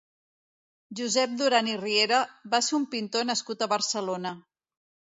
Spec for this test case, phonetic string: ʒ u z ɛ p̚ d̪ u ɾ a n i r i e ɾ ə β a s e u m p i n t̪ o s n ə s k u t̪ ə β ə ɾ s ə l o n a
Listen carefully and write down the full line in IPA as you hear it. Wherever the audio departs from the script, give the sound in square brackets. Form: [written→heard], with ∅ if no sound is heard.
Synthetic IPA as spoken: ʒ u z ɛ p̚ d̪ u ɾ a n i r i e ɾ ə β a s e u m p i n t̪ o [s→∅] n ə s k u t̪ ə β ə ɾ s ə l o n [a→ə]